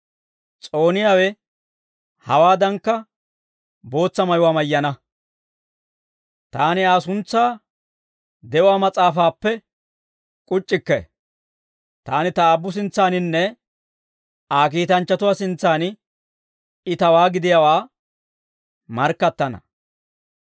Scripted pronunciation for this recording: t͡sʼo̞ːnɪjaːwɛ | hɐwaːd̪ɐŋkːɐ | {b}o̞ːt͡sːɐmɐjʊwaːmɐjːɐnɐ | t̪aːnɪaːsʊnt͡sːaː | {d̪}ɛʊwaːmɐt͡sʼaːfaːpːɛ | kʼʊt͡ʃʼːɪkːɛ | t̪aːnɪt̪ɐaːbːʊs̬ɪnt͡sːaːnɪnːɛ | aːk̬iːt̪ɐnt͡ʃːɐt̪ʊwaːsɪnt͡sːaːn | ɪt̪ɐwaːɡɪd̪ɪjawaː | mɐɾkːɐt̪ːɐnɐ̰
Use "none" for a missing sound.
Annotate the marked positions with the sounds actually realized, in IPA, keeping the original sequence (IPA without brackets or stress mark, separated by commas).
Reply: b, d̪